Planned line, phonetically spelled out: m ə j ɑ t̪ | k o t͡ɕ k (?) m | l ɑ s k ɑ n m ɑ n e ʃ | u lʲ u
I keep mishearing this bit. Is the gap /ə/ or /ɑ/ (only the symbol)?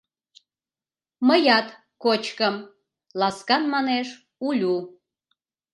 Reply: ə